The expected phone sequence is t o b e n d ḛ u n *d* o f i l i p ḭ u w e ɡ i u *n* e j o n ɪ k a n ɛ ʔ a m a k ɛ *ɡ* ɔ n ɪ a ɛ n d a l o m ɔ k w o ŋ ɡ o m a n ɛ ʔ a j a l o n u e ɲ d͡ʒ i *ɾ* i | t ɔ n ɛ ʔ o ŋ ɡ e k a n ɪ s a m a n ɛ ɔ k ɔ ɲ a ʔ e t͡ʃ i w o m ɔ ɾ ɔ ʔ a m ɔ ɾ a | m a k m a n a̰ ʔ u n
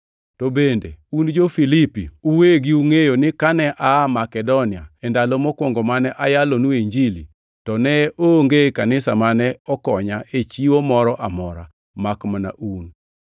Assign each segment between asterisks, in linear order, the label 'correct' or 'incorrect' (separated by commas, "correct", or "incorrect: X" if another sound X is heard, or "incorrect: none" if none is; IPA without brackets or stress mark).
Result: incorrect: d͡ʒ, incorrect: ŋ, incorrect: d, incorrect: l